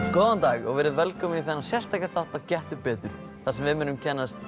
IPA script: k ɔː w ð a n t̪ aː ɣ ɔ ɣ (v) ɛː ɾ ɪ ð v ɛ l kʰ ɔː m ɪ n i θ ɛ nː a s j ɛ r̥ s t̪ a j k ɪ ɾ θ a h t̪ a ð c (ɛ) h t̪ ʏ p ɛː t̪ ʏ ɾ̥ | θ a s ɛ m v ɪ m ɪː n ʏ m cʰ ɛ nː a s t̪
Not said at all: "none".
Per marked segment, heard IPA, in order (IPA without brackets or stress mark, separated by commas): v, ɛ